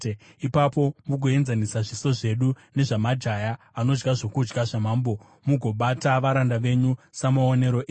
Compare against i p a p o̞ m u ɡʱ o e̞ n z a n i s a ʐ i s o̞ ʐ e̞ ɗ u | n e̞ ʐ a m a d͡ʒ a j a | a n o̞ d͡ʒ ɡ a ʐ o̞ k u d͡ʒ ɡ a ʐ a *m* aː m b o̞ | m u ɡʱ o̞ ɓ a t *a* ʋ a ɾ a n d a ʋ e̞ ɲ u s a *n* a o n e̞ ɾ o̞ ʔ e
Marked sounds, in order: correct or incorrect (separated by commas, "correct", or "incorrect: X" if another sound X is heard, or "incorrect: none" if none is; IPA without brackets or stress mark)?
correct, correct, incorrect: m